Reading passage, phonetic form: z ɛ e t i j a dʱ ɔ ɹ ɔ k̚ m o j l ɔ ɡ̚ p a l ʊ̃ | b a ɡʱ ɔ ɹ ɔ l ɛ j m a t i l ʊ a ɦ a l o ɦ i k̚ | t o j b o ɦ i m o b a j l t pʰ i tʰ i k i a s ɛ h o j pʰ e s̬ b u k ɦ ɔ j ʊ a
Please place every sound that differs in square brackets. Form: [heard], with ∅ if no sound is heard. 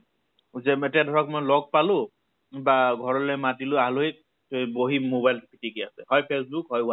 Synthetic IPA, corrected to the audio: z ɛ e t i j a dʱ ɔ ɹ ɔ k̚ m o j l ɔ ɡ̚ p a l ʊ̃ | b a ɡʱ ɔ ɹ ɔ l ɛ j m a t i l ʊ a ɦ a l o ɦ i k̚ | t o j b o ɦ i m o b a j l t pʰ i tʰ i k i a s ɛ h [ɔ] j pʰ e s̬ b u k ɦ ɔ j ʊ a